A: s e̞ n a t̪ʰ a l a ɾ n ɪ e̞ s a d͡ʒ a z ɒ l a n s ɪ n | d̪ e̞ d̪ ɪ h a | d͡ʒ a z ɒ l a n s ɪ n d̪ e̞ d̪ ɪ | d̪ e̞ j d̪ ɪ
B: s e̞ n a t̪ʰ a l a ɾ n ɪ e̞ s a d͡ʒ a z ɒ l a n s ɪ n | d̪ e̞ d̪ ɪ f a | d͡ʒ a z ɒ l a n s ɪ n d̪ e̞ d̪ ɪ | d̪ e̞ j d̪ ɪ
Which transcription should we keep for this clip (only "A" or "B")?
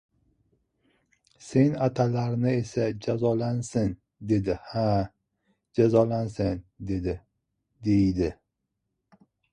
A